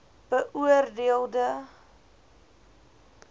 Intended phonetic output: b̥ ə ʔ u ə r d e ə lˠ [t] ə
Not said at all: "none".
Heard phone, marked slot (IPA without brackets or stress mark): d